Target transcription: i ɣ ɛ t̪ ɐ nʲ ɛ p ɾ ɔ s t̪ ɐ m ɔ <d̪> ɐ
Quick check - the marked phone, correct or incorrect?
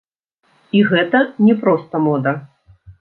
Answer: correct